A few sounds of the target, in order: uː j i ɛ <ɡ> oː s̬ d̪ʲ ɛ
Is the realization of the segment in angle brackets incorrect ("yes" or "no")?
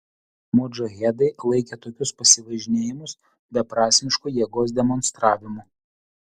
no